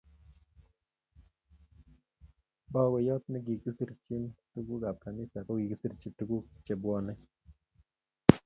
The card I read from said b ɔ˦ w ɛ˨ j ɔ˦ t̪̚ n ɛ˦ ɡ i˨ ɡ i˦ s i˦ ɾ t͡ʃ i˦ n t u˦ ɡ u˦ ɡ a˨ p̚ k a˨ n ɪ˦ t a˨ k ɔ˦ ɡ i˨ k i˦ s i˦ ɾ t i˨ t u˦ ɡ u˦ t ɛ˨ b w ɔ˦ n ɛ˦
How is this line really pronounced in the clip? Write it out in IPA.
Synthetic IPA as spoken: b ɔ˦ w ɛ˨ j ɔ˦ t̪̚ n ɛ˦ ɡ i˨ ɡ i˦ s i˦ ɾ t͡ʃ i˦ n t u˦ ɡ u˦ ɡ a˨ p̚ k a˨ n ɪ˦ s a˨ k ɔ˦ ɡ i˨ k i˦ s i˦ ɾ t͡ʃ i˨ t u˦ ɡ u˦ t͡ʃ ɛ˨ b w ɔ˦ n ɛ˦